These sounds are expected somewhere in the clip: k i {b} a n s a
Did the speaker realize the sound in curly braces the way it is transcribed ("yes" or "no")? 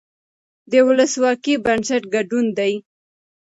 yes